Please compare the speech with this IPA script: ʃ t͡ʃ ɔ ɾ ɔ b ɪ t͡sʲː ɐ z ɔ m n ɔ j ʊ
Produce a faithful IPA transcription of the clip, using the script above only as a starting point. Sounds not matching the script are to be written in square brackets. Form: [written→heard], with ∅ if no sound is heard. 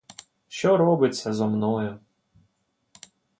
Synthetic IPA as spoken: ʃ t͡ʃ ɔ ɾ ɔ b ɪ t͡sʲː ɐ z ɔ m n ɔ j ʊ